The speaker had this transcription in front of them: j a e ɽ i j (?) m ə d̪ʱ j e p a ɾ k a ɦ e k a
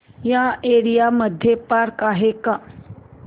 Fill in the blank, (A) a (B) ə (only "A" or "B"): A